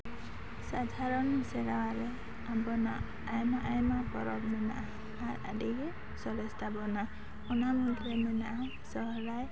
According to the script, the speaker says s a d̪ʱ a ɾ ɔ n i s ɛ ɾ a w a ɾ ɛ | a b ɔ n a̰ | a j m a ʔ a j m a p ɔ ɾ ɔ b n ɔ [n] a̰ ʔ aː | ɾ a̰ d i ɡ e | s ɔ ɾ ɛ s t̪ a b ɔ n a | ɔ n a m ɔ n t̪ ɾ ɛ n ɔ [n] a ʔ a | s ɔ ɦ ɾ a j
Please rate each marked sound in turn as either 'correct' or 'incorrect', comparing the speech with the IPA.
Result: correct, correct

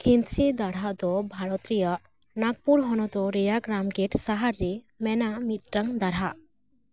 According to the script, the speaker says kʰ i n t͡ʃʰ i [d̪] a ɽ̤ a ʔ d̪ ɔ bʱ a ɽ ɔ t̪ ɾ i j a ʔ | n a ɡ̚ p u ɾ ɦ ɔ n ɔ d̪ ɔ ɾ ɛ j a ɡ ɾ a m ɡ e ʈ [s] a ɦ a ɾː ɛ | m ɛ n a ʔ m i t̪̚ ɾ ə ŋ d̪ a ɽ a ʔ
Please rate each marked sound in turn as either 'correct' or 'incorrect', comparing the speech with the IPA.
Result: correct, correct

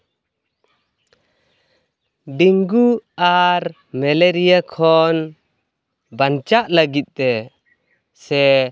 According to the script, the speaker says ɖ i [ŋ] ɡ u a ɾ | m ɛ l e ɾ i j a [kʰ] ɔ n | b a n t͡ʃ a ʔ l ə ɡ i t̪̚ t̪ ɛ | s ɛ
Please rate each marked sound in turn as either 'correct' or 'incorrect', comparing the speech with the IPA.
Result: correct, correct

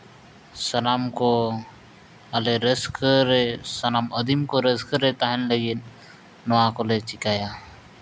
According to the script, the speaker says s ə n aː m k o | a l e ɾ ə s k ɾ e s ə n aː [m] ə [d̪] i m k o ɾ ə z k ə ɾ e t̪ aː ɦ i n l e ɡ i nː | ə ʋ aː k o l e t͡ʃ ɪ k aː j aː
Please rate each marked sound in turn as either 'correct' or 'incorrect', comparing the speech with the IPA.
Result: correct, correct

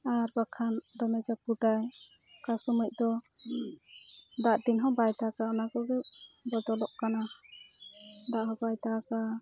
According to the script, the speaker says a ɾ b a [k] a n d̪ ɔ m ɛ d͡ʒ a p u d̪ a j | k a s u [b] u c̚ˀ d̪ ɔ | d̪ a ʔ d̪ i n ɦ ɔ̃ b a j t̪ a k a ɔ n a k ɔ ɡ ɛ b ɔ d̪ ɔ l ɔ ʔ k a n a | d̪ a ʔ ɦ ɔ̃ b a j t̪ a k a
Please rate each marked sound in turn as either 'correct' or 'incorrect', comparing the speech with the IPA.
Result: incorrect: kʰ, incorrect: m

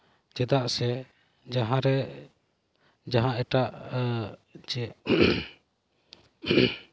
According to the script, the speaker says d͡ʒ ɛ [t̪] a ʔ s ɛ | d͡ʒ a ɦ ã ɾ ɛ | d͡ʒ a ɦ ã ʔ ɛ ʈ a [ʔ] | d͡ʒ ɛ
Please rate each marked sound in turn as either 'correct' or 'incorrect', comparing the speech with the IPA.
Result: incorrect: d̪, correct

